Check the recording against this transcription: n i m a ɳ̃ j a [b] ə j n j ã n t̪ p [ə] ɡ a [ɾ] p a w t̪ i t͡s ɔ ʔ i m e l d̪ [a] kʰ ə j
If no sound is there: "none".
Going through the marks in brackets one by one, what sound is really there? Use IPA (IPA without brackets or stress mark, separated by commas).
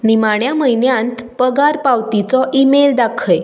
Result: m, ə, ɾ, a